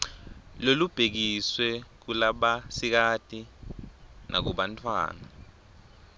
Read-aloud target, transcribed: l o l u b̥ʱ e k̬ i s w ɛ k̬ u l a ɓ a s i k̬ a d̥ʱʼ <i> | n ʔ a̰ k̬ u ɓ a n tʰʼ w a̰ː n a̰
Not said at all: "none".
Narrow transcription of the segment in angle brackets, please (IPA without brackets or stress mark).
i